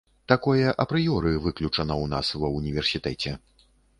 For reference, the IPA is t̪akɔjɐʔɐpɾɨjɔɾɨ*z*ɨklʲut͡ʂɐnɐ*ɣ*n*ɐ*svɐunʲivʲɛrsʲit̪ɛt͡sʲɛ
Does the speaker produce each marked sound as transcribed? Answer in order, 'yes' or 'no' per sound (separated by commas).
no, no, no